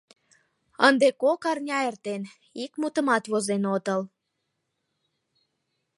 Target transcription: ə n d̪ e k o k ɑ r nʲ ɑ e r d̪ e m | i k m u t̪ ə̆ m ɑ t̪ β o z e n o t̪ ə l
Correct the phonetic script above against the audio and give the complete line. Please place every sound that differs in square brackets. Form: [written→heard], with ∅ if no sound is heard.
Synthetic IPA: ə n d̪ e k o k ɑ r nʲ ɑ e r [d̪→t̪] e [m→n] | i k m u t̪ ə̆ m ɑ t̪ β o z e n o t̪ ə l